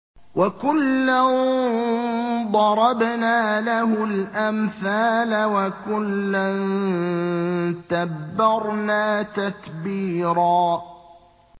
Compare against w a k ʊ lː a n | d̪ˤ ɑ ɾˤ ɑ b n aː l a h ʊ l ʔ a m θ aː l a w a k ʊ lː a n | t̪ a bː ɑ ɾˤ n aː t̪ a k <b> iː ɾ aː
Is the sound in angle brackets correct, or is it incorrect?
correct